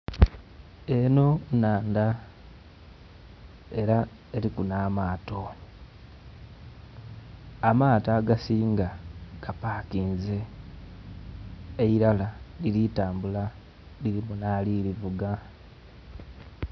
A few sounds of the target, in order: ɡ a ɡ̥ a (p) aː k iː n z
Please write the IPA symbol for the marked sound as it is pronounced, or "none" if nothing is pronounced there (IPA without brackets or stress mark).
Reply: p